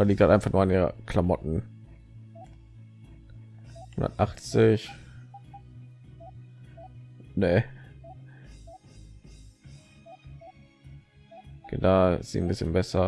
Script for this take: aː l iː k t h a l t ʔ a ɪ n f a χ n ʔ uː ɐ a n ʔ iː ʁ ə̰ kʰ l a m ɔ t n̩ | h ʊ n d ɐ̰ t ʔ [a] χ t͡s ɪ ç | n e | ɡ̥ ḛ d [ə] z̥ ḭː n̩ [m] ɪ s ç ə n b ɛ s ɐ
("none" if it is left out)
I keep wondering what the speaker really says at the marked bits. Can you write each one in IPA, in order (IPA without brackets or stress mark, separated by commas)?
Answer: a, a, b